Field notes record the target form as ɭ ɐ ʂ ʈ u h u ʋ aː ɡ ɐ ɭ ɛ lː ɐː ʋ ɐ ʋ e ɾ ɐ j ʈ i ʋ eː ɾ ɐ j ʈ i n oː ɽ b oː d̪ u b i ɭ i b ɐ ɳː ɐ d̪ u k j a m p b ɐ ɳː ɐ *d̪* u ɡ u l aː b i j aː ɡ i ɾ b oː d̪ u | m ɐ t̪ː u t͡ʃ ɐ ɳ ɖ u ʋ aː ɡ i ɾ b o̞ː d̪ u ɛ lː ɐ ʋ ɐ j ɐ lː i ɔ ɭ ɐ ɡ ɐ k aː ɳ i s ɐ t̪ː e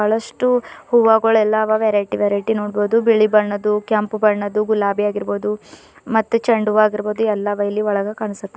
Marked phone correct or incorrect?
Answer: correct